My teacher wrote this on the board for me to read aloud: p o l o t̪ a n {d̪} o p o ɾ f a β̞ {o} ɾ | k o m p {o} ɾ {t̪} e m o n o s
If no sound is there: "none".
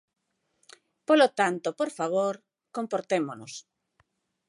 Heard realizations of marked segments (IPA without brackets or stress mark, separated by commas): t̪, o, o, t̪